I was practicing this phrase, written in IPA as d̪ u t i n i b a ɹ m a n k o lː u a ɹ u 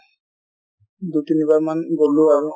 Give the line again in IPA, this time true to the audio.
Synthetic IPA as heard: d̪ u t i n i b a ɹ m a n ɡ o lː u a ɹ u